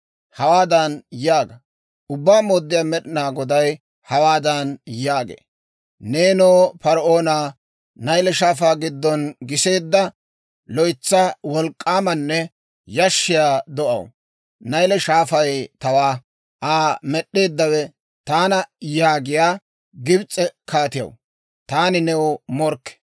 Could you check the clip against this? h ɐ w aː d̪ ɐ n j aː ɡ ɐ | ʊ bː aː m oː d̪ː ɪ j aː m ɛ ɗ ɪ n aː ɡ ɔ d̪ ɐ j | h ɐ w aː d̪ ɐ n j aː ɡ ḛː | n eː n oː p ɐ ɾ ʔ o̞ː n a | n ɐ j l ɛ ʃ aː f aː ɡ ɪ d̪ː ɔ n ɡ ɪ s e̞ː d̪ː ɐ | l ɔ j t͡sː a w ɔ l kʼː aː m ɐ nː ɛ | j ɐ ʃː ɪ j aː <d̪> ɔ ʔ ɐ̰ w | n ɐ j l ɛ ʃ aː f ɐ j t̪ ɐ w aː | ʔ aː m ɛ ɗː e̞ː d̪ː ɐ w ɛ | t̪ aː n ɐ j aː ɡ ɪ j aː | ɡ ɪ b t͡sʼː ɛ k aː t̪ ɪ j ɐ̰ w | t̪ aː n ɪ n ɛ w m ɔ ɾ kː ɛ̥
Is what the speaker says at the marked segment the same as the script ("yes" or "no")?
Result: yes